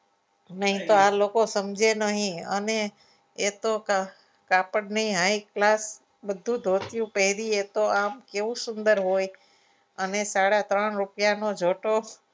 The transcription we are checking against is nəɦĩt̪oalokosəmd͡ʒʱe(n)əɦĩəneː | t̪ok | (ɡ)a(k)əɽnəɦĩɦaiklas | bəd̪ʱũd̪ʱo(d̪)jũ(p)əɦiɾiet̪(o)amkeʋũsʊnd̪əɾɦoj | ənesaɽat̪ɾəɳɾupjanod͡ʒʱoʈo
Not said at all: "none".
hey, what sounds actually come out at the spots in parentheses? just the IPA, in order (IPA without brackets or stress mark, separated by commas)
n, k, p, t̪, p, o